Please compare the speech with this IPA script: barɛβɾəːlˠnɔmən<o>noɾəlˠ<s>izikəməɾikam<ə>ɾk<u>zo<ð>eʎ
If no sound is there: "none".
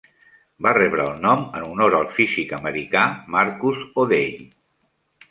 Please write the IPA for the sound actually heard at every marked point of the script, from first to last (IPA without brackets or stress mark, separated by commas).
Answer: u, f, a, u, ð